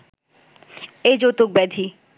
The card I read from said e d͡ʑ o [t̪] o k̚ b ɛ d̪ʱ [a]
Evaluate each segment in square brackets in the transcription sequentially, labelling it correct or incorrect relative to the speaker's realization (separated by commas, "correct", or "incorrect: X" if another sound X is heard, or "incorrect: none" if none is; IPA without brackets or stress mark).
correct, incorrect: i